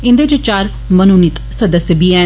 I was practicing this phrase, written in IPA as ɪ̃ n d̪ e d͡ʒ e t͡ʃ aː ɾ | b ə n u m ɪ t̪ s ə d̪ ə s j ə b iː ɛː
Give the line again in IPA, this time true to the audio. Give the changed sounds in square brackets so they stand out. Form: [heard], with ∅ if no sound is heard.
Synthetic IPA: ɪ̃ n d̪ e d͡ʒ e t͡ʃ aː ɾ | [m] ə n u [n] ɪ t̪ s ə d̪ ə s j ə b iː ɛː